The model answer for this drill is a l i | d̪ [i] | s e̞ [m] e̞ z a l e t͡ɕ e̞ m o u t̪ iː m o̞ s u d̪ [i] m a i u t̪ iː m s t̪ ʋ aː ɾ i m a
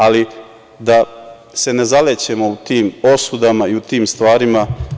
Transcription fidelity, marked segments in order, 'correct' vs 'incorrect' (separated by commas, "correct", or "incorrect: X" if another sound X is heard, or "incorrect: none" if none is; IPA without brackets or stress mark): incorrect: a, incorrect: n, incorrect: a